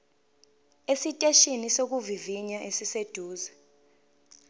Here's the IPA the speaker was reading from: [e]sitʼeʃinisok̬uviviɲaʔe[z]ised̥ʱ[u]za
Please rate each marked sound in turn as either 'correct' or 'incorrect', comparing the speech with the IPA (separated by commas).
correct, incorrect, incorrect